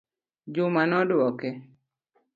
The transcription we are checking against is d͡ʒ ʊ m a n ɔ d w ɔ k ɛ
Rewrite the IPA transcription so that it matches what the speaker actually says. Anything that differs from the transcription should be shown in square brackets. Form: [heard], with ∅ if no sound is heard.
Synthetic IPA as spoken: d͡ʒ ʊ m a n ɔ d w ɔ k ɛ

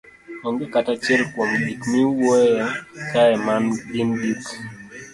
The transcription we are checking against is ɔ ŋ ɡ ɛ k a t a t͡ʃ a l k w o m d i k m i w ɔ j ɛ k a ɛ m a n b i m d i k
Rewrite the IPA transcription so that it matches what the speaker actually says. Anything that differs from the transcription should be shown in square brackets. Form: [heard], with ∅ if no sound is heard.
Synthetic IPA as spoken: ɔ ŋ ɡ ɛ k a t a t͡ʃ [ɛ] l k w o m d i k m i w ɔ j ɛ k a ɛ m a n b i [n] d i k

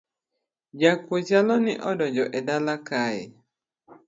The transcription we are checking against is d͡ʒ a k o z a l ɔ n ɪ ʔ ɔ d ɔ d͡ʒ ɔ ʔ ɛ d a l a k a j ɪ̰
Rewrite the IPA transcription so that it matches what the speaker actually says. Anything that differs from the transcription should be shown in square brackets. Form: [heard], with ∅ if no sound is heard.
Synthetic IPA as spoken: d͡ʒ a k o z a l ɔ n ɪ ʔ ɔ d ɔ d͡ʒ ɔ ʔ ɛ d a l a k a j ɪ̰

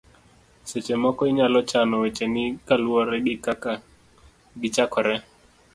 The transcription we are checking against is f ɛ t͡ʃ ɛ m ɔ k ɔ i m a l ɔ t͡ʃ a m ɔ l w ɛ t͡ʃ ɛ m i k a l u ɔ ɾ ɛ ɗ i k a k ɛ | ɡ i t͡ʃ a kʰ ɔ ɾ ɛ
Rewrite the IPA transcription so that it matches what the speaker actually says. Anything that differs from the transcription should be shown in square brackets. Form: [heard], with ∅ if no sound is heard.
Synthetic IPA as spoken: [s] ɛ t͡ʃ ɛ m ɔ k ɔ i [ɲ] a l ɔ t͡ʃ a [n] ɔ [∅] w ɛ t͡ʃ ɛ [n] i k a l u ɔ ɾ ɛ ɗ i k a k [a] | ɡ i t͡ʃ a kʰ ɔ ɾ ɛ

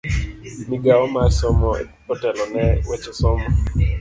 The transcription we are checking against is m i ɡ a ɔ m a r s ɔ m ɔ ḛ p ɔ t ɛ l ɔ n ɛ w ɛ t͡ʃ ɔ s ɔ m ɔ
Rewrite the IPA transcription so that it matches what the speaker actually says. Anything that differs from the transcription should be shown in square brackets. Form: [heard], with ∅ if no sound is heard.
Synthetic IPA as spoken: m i ɡ a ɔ m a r s ɔ m ɔ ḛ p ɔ t ɛ l ɔ n ɛ w ɛ t͡ʃ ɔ s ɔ m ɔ

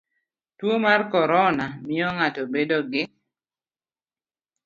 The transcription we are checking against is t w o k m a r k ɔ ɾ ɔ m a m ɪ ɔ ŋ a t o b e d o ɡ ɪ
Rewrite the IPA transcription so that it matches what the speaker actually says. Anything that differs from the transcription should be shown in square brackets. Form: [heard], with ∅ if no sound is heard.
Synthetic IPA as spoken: t w o [∅] m a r k ɔ ɾ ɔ [n] a m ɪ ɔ ŋ a t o b e d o ɡ ɪ

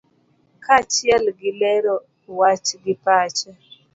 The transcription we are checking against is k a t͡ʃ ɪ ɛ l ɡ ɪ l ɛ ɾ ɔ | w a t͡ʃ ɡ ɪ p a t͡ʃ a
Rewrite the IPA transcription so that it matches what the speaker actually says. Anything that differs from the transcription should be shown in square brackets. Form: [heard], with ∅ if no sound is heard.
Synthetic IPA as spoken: k a t͡ʃ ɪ ɛ l ɡ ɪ l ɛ ɾ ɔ | w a t͡ʃ ɡ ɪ p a t͡ʃ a

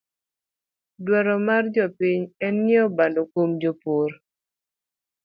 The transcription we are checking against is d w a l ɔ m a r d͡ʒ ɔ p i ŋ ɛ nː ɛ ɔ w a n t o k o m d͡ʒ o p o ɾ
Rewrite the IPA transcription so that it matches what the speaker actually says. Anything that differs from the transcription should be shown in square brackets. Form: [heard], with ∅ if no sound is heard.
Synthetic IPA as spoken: d w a [ɾ] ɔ m a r d͡ʒ ɔ p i [ɲ] ɛ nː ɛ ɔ [b] a n [d] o k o m d͡ʒ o p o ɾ

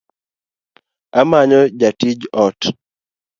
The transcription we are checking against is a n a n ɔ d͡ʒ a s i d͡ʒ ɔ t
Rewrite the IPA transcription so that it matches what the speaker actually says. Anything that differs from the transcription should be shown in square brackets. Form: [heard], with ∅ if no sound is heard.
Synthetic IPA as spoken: a [m] a [ɲ] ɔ d͡ʒ a [t] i d͡ʒ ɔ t

